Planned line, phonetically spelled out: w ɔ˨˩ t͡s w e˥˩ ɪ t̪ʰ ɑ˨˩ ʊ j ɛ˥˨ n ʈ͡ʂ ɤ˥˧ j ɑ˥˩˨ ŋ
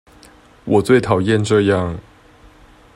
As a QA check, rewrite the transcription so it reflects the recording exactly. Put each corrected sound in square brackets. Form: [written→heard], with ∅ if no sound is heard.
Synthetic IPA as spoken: w ɔ˨˩ t͡s w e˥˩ ɪ t̪ʰ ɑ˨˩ ʊ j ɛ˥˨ n ʈ͡ʂ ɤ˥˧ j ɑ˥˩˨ ŋ

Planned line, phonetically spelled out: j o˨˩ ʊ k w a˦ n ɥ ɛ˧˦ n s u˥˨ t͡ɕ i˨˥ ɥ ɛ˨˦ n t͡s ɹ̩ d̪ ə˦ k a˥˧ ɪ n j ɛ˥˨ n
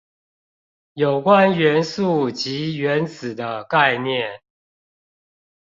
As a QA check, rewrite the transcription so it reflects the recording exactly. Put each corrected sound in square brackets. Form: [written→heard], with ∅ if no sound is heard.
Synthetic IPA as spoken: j o˨˩ ʊ k w a˦ n ɥ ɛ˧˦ n s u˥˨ t͡ɕ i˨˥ ɥ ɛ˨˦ n t͡s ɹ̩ d̪ ə˦ k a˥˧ ɪ n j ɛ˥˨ n

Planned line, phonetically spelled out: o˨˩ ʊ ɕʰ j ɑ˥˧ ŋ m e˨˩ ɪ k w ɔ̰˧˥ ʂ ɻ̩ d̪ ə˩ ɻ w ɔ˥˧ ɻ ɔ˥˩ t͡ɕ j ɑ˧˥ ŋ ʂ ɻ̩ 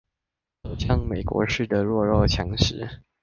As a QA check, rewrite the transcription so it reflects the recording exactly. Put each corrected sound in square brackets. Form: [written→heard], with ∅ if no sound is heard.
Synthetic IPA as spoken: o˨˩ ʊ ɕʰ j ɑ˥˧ ŋ m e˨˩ ɪ k w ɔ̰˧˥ ʂ ɻ̩ d̪ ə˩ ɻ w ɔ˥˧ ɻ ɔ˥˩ [t͡ɕ→t͡ɕʰ] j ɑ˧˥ ŋ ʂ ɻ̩

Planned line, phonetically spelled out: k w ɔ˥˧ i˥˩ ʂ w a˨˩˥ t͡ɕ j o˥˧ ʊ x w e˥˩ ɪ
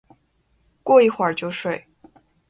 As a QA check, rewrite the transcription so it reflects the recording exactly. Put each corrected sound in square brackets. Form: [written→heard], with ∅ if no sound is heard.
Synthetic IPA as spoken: k w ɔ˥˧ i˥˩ [ʂ→x] w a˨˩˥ t͡ɕ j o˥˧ ʊ [x→ʂ] w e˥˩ ɪ

